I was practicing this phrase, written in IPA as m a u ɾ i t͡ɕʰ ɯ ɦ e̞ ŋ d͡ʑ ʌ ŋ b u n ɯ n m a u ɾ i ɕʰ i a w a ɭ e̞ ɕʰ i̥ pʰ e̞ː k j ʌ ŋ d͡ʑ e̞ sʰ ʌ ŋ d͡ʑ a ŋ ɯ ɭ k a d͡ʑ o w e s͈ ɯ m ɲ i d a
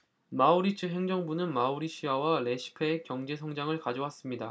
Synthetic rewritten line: m a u ɾ i t͡ɕʰ ɯ ɦ e̞ ŋ d͡ʑ ʌ ŋ b u n ɯ n m a u ɾ i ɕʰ i a w a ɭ e̞ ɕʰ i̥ pʰ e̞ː k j ʌ ŋ d͡ʑ e̞ sʰ ʌ ŋ d͡ʑ a ŋ ɯ ɭ k a d͡ʑ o w a s͈ ɯ m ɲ i d a